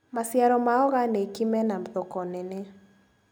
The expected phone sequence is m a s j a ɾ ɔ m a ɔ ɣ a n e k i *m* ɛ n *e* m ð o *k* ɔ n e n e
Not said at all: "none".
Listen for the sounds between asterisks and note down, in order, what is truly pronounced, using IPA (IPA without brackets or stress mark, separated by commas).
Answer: m, a, k